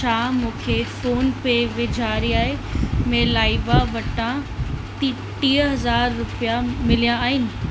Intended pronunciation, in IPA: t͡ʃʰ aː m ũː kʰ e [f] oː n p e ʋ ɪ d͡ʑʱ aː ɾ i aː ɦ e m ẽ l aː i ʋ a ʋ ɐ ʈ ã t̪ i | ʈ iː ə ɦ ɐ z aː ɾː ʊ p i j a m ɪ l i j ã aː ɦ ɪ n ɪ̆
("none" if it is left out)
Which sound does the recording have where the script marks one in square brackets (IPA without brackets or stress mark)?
f